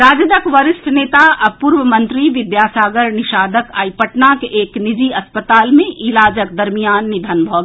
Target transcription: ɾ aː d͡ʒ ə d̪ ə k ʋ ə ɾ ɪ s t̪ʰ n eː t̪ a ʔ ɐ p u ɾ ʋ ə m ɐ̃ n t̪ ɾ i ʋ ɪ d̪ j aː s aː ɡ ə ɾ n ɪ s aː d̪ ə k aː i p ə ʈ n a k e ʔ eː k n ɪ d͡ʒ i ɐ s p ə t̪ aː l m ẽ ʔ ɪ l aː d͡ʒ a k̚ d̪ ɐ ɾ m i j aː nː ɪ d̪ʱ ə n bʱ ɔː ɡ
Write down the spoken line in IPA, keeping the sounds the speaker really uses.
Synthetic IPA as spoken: ɾ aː d͡ʒ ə d̪ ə k ʋ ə ɾ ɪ s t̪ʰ n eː t̪ a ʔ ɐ p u ɾ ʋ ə m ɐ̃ n t̪ ɾ i ʋ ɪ d̪ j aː s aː ɡ ə ɾ n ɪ ʃ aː d̪ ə k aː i p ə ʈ n a k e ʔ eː k n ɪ d͡ʒ i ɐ s p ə t̪ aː l m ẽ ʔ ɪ l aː d͡ʒ ə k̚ d̪ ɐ ɾ m i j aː nː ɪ d̪ʱ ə n bʱ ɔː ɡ